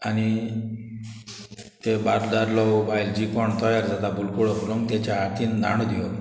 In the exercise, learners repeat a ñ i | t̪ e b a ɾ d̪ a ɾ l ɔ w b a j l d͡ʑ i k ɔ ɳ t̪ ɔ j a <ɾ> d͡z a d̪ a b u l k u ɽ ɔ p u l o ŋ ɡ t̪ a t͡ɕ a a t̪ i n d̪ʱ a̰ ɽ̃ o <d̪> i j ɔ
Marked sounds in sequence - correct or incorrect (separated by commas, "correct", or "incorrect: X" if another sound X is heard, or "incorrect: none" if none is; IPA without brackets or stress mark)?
correct, correct